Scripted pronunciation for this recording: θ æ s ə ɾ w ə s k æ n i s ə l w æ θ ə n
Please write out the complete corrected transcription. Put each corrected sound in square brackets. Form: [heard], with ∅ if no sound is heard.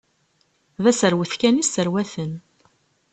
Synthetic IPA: [ð] æ s ə ɾ w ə [θ] k æ n i s ə [ɾ] w æ θ ə n

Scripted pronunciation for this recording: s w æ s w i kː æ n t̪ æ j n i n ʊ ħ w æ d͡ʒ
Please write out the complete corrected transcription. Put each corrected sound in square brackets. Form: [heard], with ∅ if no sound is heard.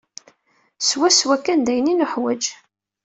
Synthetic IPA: s w æ s w [æ] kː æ n [d̪] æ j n i n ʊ ħ w æ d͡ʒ

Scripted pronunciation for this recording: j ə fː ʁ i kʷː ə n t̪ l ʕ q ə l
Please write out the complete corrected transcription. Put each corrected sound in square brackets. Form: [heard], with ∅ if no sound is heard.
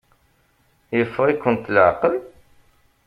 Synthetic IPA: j ə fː ʁ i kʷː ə n t̪ l ʕ q ə l

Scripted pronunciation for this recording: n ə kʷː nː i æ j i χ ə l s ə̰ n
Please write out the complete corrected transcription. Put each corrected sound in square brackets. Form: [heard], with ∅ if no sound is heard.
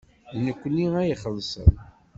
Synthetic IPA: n ə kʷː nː i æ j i χ ə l s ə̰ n

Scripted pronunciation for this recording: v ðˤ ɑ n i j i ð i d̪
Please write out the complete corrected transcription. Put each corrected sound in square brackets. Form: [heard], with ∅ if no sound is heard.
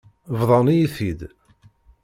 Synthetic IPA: v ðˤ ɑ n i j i [θ] i d̪

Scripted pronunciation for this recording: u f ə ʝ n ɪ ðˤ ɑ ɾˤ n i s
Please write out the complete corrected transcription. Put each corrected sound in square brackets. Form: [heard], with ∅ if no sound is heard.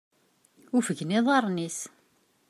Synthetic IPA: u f ə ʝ n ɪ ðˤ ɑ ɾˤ n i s

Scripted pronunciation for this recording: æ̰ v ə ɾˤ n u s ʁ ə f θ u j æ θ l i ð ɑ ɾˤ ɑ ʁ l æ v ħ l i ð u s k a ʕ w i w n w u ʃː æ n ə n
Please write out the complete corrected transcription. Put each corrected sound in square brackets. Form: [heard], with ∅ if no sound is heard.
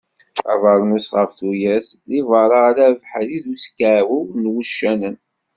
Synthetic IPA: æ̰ v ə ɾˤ n u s ʁ ə f θ u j æ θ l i [v] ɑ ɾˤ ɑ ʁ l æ v ħ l i ð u s k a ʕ w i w n w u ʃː æ n ə n

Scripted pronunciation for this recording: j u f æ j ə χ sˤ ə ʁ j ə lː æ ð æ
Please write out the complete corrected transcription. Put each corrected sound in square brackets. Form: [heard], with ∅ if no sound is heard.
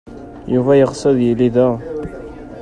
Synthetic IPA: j u [v] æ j ə [ʁ] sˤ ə [ð] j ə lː [i] ð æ

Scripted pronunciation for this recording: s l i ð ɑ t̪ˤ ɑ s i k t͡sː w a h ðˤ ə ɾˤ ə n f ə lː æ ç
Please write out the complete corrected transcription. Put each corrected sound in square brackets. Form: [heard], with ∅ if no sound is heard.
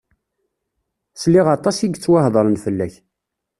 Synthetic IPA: s l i [ʁ] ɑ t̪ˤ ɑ s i [ɡ] t͡sː w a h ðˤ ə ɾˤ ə n f ə lː æ ç

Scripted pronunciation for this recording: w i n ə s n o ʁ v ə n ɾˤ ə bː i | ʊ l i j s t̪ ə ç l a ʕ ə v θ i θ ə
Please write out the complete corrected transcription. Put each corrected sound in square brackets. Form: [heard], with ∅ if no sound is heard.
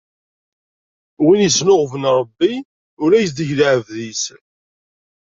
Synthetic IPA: w i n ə s n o ʁ v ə n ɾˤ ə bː i | ʊ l [æ] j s [d̪] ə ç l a ʕ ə v [ð] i [s] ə

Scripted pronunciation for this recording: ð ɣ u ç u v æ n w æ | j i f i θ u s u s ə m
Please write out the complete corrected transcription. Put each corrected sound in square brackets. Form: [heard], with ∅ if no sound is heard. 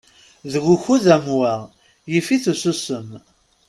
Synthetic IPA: ð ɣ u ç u [ð] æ [m] w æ | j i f i θ u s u s ə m

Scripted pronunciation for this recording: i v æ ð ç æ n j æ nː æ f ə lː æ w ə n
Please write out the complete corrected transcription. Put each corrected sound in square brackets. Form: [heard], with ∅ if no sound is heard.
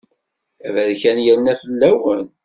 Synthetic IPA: [æ] v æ ð ç æ n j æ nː æ f ə lː æ w ə n

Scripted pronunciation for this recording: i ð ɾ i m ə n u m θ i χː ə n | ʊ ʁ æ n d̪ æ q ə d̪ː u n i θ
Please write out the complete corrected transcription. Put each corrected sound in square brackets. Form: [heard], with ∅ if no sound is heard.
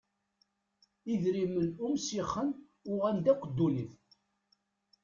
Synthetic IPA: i ð ɾ i m ə n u m [s] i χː ə n | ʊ ʁ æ n d̪ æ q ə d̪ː u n i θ

